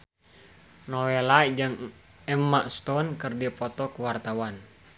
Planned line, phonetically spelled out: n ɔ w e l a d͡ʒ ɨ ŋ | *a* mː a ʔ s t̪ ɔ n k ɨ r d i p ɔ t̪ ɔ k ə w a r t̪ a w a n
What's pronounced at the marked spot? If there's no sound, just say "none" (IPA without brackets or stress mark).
ɛ